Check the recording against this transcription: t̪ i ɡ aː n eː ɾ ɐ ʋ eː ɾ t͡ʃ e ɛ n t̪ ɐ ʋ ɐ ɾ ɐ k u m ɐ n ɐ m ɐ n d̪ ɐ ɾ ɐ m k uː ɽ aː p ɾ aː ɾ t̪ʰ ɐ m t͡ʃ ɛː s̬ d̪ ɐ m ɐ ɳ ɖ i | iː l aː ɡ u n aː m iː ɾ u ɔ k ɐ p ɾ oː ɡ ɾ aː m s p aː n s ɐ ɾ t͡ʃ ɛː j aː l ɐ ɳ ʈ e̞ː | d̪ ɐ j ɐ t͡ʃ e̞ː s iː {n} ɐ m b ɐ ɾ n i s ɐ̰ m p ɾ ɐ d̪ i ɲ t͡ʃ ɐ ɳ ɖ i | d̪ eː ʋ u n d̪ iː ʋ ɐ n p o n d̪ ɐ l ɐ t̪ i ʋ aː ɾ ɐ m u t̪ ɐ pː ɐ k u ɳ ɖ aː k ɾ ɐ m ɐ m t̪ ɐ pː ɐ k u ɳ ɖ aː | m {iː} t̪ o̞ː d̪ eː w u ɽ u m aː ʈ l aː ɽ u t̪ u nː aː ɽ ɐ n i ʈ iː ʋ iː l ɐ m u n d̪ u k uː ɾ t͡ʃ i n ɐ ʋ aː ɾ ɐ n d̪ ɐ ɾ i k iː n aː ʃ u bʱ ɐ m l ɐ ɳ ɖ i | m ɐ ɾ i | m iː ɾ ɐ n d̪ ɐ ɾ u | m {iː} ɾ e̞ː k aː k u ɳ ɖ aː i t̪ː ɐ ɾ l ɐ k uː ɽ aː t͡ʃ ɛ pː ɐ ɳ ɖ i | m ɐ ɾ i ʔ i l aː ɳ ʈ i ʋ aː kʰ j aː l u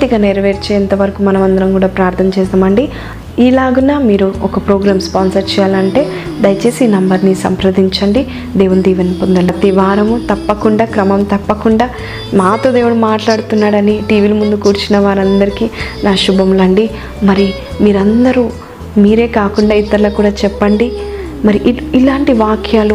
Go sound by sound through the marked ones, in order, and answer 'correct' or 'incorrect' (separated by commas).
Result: correct, incorrect, correct